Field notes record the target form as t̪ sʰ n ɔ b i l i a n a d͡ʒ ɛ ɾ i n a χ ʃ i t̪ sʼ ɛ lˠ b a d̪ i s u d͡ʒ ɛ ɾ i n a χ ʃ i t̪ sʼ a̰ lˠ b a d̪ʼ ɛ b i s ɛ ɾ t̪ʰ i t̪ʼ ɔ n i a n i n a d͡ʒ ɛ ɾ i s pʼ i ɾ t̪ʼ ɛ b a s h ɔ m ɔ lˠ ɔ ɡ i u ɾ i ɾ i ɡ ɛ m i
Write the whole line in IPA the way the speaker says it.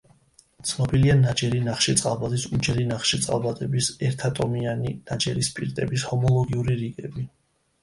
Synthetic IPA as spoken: t̪ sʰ n ɔ b i l i a n a d͡ʒ ɛ ɾ i n a χ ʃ i t̪ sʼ a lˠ b a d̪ i s u d͡ʒ ɛ ɾ i n a χ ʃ i t̪ sʼ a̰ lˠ b a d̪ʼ ɛ b i s ɛ ɾ t̪ʰ a t̪ʼ ɔ m i a n i n a d͡ʒ ɛ ɾ i s pʼ i ɾ t̪ʼ ɛ b i s h ɔ m ɔ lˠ ɔ ɡ i u ɾ i ɾ i ɡ ɛ b i